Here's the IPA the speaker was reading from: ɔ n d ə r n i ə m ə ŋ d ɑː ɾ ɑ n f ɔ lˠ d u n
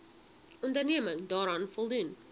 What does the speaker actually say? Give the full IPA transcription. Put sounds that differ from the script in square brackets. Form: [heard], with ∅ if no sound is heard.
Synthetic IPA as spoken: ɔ n d ə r n i ə m ə ŋ d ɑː ɾ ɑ n f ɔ lˠ d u n